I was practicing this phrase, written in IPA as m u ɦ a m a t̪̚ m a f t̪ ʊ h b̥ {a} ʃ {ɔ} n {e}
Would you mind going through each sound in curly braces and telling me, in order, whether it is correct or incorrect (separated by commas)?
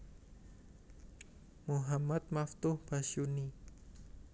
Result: correct, incorrect, incorrect